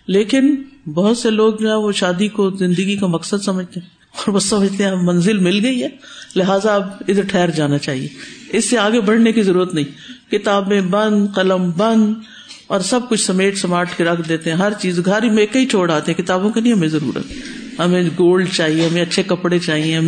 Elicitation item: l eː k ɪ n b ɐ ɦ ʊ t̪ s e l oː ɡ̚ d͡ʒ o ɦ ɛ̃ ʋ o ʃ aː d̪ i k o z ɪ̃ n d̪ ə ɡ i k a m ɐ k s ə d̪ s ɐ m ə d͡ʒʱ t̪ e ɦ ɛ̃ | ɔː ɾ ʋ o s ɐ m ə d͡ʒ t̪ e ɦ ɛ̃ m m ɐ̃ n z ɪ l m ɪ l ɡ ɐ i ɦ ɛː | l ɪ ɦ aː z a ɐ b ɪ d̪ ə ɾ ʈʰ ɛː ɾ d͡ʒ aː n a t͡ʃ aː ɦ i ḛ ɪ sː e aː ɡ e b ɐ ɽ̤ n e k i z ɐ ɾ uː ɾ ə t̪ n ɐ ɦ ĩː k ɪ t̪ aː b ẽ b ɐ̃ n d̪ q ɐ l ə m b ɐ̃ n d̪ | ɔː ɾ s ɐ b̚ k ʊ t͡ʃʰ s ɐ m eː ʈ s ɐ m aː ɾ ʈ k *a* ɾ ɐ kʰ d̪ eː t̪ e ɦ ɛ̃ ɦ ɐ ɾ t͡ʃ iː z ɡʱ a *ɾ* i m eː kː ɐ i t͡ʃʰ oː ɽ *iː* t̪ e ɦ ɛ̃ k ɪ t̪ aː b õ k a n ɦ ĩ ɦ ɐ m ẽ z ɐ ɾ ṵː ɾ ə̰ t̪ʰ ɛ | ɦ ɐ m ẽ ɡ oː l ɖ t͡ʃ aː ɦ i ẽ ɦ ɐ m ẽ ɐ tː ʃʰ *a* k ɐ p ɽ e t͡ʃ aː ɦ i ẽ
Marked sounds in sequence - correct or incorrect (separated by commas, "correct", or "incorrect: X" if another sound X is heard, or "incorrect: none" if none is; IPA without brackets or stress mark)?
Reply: incorrect: e, correct, incorrect: aː, incorrect: e